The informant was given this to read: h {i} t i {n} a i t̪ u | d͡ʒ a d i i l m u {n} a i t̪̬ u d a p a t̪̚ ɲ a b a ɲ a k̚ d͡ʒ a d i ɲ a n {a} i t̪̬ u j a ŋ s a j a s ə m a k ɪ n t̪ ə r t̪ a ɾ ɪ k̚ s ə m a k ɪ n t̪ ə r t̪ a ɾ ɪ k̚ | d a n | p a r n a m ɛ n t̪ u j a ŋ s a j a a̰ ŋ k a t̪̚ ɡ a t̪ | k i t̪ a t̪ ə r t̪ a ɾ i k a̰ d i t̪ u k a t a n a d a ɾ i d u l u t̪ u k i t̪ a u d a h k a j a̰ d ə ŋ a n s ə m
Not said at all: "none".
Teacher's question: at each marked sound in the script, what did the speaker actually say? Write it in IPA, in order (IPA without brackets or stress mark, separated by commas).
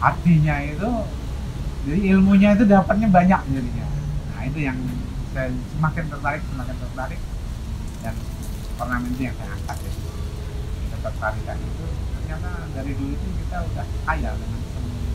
a, ɲ, ɲ, a